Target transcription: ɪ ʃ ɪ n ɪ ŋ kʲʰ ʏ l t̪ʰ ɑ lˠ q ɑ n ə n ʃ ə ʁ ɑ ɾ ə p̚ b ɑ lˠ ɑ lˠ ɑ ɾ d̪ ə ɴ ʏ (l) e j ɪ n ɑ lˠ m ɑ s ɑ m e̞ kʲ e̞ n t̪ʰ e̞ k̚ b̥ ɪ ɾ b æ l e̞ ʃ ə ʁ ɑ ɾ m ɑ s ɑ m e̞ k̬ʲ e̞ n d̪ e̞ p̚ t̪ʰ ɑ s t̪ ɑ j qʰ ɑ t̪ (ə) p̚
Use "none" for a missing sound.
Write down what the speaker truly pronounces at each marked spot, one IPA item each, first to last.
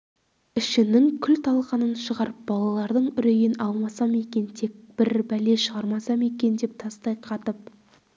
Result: ɾ, ə

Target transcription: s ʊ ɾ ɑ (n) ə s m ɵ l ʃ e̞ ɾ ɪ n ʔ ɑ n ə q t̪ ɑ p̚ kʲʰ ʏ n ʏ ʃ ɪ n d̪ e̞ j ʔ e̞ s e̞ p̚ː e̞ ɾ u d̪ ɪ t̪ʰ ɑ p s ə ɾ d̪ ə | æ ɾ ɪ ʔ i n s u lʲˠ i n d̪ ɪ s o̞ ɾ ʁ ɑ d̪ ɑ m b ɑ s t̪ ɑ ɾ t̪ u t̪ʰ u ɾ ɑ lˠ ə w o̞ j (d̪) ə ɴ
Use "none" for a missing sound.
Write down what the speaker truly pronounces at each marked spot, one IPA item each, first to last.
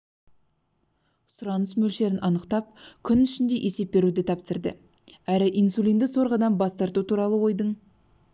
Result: n, d̪

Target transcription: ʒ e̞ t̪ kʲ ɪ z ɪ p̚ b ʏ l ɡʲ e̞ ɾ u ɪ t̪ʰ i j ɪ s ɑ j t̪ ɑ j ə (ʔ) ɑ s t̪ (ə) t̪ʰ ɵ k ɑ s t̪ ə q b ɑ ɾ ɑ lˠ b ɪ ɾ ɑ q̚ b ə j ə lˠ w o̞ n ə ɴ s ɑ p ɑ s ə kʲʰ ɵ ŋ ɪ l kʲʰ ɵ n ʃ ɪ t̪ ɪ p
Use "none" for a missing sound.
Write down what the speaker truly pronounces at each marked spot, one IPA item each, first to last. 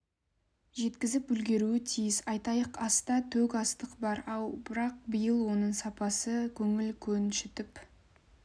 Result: q, ɑ

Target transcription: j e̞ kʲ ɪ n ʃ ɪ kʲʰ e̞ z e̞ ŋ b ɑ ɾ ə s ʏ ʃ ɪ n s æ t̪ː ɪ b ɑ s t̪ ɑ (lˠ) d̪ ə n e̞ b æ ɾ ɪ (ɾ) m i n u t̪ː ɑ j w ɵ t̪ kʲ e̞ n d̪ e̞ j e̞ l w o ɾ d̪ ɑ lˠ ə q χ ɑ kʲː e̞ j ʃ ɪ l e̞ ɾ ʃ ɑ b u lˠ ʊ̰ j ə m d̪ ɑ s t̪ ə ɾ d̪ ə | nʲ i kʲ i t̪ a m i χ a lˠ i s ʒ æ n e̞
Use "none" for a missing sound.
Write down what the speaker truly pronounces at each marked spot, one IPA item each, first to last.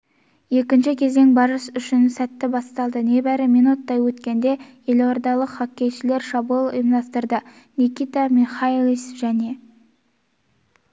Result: lˠ, none

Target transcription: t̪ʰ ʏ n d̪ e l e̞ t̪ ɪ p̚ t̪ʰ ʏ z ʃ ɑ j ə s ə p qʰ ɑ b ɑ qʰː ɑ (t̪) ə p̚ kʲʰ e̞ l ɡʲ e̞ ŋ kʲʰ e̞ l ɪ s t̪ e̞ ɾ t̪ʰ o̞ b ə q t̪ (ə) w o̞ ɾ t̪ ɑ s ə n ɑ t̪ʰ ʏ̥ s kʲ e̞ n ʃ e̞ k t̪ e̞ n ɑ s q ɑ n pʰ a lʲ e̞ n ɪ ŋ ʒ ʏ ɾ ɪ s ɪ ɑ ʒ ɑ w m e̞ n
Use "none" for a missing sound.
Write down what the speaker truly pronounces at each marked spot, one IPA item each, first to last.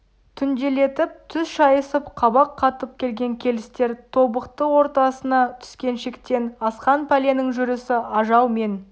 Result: t̪, ə

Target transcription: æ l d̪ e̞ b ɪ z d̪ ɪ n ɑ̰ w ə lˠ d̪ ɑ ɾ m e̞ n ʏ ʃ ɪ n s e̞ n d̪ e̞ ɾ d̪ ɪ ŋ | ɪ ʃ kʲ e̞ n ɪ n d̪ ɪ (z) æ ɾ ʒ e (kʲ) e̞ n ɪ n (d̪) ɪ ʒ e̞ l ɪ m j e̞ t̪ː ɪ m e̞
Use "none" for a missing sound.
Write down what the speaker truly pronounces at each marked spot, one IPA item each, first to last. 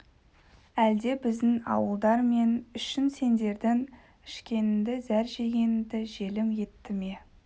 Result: z, ɡʲ, d̪

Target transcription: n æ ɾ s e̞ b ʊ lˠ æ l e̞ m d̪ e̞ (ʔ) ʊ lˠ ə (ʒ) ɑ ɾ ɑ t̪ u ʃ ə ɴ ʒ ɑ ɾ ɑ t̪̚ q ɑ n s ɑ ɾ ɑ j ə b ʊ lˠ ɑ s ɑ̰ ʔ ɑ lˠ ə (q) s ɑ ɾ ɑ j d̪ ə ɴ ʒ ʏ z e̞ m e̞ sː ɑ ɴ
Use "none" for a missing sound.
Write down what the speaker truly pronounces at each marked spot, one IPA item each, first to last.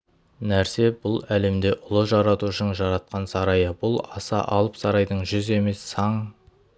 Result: ʔ, ʒ, p

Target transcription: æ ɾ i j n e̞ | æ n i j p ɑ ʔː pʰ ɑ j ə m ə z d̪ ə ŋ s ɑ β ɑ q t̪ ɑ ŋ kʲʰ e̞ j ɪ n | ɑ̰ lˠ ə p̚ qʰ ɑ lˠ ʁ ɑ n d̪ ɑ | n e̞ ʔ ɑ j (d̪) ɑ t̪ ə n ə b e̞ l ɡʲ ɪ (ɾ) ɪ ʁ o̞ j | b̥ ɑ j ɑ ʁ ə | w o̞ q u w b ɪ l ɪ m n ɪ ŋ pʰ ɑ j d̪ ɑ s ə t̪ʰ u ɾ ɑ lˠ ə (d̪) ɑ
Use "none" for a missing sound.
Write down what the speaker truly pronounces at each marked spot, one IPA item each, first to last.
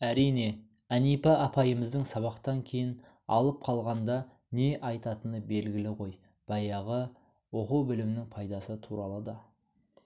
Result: t̪, l, d̪

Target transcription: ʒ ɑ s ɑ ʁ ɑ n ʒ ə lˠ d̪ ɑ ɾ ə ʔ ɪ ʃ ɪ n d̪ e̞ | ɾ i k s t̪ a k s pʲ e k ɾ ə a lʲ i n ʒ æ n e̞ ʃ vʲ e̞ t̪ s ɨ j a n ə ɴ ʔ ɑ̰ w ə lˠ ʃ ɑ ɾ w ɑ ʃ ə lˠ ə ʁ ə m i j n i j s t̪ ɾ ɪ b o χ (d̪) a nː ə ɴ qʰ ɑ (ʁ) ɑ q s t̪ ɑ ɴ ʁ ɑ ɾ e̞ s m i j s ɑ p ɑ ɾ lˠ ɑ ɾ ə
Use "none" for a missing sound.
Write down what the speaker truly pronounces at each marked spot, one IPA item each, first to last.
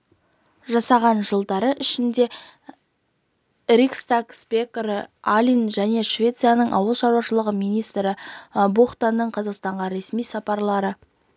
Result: t̪, z

